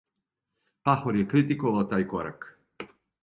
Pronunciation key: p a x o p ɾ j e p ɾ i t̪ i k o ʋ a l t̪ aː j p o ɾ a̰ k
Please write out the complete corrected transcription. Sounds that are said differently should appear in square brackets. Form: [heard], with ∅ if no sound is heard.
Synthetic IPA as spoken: p a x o [∅] ɾ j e [k] ɾ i t̪ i k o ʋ a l t̪ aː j [k] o ɾ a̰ k

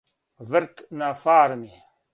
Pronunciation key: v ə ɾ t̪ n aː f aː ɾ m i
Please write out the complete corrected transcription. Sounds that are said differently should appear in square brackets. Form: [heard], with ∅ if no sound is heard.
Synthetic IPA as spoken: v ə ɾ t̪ n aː f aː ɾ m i

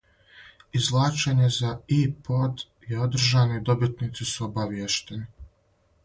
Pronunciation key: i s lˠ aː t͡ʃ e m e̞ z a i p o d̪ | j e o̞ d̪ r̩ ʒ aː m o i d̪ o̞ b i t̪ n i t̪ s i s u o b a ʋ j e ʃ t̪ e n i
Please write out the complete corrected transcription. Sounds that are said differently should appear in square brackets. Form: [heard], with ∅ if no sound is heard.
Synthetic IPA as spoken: i [z] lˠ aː t͡ʃ e [ɲ] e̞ z a i p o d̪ | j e o̞ d̪ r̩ ʒ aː [n] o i d̪ o̞ b i t̪ n i t̪ s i s u o b a ʋ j e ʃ t̪ e n i

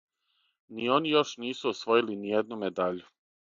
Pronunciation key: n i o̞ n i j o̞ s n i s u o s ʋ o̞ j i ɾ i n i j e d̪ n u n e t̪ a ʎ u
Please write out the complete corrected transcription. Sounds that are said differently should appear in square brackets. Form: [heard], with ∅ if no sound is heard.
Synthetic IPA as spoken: n i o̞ n i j o̞ [ʃ] n [iː] s u o s ʋ o̞ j i [l] i n i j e d̪ n u [m] e [d̪] a ʎ u

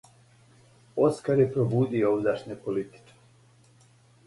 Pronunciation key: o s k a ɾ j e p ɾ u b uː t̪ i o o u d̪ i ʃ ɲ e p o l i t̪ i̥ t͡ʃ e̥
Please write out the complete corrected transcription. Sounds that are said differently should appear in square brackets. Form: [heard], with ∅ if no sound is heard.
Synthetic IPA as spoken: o s k a ɾ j e p ɾ [o] b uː [d̪] i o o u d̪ [a] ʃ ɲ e p o l i t̪ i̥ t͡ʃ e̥

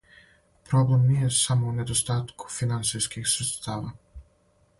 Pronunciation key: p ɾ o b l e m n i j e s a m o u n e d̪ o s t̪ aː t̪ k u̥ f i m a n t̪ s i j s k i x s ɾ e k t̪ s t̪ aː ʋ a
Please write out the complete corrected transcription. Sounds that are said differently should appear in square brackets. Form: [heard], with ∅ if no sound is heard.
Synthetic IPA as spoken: p ɾ o b l e m n i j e s a m o u n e d̪ o s t̪ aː t̪ k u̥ f i [n] a n t̪ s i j s k i x s ɾ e [∅] t̪ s t̪ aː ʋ a

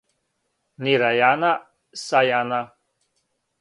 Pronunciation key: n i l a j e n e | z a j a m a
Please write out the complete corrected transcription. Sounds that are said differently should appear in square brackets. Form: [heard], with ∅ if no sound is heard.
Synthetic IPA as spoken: n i [ɾ] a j [a] n [a] | [s] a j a [n] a

